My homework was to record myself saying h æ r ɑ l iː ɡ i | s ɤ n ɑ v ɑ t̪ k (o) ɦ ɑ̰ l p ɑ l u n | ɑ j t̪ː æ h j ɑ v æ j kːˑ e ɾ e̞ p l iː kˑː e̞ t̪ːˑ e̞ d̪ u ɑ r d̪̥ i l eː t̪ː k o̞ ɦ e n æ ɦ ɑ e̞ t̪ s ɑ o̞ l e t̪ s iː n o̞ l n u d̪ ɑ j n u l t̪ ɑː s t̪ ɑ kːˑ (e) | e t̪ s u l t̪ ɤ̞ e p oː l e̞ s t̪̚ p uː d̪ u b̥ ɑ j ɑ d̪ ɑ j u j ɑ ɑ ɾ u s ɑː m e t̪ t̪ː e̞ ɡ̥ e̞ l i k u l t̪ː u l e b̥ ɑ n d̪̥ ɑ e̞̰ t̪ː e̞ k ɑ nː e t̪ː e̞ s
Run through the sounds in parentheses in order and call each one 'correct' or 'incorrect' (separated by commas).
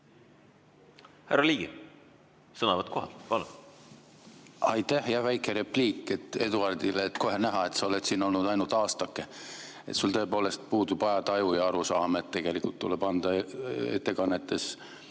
correct, correct